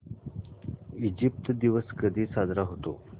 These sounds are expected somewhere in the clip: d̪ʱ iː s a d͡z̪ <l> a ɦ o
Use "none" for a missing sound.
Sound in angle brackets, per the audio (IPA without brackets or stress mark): ɾ